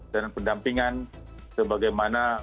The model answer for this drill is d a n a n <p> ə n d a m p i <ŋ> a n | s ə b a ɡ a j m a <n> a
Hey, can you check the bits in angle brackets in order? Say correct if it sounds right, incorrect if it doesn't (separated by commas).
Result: correct, correct, correct